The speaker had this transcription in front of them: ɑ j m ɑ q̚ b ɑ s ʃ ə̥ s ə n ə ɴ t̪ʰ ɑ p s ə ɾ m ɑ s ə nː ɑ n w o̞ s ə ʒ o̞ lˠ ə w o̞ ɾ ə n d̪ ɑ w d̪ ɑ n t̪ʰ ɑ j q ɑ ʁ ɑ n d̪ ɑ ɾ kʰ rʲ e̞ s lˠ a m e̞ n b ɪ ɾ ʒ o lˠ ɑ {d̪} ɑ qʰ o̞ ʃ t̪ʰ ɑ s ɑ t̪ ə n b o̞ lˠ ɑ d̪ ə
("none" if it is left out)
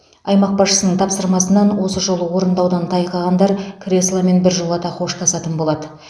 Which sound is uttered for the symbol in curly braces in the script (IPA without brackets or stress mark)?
t̪